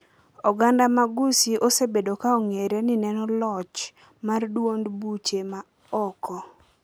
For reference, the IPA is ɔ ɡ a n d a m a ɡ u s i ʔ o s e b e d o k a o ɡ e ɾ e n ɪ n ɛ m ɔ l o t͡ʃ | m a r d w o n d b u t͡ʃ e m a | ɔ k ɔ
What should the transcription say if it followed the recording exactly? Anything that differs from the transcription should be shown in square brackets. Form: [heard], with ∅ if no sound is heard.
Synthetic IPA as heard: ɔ ɡ a n d a m a ɡ u s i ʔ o s e b e d o k a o [ŋ] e ɾ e n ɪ n ɛ [n] ɔ l [ɔ] t͡ʃ | m a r d w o n d b u t͡ʃ e m a | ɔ k ɔ